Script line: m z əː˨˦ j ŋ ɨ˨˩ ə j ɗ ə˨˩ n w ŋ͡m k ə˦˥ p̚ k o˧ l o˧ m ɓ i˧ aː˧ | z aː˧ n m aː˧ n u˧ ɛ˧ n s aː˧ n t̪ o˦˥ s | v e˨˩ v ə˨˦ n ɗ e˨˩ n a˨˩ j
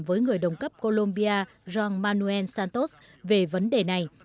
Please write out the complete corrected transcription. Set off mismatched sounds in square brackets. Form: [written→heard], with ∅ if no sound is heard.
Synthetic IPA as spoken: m [z→v] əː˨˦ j ŋ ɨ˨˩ ə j ɗ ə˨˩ [n→∅] w ŋ͡m k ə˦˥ p̚ k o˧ l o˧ m ɓ i˧ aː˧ | z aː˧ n m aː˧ n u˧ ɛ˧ n s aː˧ n t̪ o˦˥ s | v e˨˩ v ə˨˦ n ɗ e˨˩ n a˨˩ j